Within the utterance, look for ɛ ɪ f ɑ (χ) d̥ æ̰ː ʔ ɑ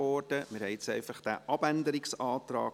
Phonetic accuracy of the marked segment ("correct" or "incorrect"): correct